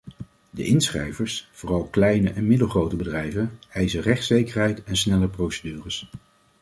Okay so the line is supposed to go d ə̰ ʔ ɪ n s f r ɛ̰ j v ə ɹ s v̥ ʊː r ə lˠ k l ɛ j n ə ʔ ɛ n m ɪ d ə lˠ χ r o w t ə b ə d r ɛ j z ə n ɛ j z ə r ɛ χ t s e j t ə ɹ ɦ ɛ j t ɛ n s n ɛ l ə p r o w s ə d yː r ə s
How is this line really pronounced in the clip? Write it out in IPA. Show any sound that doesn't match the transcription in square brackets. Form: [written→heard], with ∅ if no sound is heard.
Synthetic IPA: d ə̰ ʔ ɪ n s [f→χ] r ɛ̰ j v ə ɹ s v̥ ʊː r [ə→ɑ] lˠ k l ɛ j n ə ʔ ɛ n m ɪ d ə lˠ χ r o w t ə b ə d r ɛ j [z→v] ə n ɛ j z ə r ɛ χ t s e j [t→k] ə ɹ ɦ ɛ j t ɛ n s n ɛ l ə p r o w s ə d yː r ə s